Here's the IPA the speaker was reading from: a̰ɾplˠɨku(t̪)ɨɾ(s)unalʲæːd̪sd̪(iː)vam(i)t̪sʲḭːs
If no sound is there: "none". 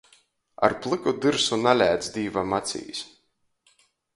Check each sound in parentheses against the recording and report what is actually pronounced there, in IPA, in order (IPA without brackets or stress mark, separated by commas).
d̪, s, iː, a